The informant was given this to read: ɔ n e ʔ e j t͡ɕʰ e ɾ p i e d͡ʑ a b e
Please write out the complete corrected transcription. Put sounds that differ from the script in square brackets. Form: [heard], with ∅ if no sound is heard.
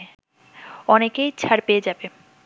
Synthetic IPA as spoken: ɔ n e [k] e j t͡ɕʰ [a] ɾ p [e] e d͡ʑ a b e